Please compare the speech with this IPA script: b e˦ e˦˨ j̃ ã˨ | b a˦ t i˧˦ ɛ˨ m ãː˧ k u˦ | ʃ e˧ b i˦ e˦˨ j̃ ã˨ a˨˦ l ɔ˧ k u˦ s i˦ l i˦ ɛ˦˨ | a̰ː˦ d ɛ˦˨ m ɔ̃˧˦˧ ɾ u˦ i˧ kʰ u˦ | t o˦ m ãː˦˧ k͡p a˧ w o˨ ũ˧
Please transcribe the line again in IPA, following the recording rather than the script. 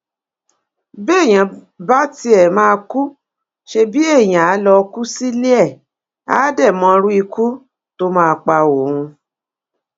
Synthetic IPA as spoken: b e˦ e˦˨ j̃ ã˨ | b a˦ t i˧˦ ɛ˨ m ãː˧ k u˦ | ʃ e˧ b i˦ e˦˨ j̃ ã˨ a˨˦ l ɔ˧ k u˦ s i˦ l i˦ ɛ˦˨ | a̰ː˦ d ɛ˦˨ m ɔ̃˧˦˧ ɾ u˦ i˧ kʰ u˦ | t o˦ m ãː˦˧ k͡p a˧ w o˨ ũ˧